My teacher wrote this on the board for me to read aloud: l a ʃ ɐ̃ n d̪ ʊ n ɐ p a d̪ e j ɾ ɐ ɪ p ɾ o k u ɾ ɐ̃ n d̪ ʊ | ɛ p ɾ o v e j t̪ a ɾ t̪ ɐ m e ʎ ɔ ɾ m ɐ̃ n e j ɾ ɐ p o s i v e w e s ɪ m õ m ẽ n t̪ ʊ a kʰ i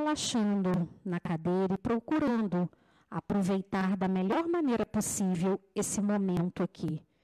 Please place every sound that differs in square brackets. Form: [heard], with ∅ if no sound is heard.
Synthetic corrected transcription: l a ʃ ɐ̃ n d̪ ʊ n ɐ [k] a d̪ e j ɾ ɐ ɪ p ɾ o k u ɾ ɐ̃ n d̪ ʊ | [a] p ɾ o v e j t̪ a ɾ [d̪] ɐ m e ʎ ɔ ɾ m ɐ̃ n e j ɾ ɐ p o s i v e w e s ɪ m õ m ẽ n t̪ ʊ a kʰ i